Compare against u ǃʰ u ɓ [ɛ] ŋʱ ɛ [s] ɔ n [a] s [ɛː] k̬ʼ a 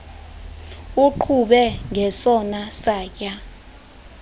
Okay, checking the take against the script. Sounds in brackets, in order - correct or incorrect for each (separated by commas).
correct, correct, correct, incorrect